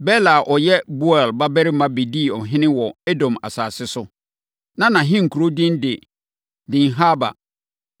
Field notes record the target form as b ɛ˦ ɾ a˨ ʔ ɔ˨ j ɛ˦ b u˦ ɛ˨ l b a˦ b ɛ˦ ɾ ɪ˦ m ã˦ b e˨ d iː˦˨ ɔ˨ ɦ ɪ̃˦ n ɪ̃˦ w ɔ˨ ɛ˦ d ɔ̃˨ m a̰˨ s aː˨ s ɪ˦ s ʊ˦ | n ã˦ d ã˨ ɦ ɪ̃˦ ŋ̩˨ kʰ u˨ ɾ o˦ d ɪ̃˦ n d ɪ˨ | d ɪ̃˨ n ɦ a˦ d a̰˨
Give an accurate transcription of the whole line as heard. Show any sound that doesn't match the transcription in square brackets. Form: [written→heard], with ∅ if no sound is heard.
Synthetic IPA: b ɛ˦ [ɾ→l] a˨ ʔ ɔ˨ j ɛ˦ b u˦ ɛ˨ l b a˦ b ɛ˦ ɾ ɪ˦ m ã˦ b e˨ d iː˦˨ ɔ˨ ɦ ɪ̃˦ n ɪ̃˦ w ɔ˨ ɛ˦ d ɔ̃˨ m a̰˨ s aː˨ s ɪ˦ s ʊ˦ | n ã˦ [d→n] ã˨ ɦ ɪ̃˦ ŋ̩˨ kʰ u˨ ɾ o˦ d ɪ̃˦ n d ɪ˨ | d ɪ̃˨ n ɦ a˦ [d→b] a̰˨